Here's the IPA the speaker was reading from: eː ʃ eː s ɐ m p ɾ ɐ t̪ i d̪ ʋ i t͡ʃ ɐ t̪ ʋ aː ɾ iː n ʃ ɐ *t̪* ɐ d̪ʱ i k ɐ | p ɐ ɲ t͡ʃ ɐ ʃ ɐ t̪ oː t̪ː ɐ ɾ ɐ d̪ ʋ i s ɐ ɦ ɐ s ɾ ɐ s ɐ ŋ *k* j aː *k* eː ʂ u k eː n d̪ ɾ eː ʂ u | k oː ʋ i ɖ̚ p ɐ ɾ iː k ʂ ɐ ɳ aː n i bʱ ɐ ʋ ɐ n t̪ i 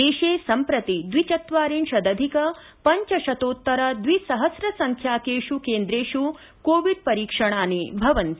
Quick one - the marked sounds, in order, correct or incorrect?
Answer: incorrect: d̪, incorrect: kʰ, correct

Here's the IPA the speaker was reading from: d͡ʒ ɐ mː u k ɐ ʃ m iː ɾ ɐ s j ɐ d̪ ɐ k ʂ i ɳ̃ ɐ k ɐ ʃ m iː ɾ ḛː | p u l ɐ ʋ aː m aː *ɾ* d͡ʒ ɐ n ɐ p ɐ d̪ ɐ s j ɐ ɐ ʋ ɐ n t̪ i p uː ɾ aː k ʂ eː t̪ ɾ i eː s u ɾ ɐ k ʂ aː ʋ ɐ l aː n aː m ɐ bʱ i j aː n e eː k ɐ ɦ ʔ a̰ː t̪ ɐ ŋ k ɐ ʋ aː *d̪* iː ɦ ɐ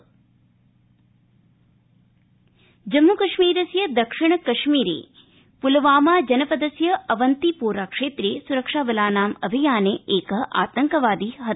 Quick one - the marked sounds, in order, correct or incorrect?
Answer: incorrect: none, correct

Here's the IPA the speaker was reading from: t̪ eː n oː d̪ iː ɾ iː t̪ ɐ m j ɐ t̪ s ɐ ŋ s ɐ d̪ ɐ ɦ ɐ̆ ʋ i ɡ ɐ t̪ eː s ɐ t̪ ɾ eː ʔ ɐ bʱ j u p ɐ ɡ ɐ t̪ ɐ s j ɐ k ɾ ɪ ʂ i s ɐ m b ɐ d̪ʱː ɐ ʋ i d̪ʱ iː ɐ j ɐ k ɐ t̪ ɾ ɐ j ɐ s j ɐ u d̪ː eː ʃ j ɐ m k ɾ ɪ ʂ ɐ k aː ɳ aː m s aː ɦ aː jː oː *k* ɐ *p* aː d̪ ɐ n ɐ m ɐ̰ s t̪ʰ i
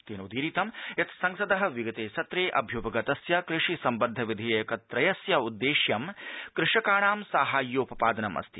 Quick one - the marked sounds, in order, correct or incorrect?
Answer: incorrect: p, correct

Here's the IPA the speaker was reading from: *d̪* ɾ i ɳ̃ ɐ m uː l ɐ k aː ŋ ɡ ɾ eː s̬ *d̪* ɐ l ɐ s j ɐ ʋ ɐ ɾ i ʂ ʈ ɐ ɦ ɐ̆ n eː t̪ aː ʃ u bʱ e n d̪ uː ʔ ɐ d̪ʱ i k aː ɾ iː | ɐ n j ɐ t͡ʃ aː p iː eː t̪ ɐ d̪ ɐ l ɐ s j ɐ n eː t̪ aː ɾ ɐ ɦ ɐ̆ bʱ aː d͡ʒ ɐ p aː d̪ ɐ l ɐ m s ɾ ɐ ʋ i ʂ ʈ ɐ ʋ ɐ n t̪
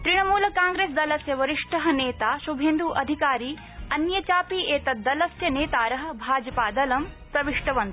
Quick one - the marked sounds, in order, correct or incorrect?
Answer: incorrect: t̪, correct

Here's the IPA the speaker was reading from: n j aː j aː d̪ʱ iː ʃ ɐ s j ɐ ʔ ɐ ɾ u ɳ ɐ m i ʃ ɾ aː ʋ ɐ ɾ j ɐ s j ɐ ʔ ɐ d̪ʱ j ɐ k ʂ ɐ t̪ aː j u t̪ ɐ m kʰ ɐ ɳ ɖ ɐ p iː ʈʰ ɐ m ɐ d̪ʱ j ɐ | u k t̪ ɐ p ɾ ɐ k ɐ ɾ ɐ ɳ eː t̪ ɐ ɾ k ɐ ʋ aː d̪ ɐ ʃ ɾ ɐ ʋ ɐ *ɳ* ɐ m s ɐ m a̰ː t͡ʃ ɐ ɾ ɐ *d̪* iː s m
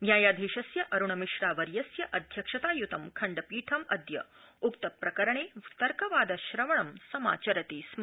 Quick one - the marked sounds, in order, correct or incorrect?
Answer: correct, incorrect: t̪

